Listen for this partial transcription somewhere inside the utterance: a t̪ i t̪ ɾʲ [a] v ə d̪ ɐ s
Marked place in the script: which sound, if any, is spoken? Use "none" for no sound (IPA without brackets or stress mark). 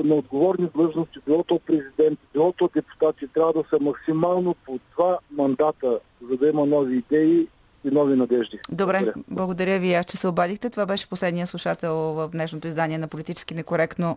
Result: a